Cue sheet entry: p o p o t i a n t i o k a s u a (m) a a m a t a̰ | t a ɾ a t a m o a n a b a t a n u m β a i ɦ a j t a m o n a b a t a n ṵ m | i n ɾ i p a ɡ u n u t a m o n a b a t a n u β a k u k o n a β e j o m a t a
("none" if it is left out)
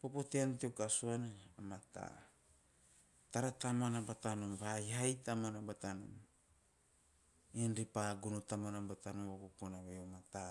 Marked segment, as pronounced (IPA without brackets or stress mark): n